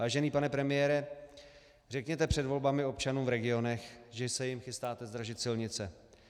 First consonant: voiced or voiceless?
voiced